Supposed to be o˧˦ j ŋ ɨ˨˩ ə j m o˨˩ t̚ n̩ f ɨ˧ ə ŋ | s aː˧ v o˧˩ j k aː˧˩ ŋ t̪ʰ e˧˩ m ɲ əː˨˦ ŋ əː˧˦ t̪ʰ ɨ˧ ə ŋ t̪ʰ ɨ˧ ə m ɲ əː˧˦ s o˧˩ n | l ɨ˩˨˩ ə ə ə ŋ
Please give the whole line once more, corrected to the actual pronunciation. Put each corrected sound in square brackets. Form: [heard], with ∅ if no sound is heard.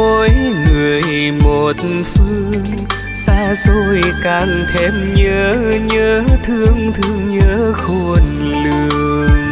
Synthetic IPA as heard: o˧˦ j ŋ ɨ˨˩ ə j m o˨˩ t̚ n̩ f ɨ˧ ə ŋ | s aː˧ [z] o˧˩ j k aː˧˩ ŋ t̪ʰ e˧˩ m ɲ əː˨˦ [ɲ] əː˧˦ t̪ʰ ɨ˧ ə ŋ t̪ʰ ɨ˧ ə [ŋ] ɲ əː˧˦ [x] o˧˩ n | l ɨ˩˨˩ ə ə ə ŋ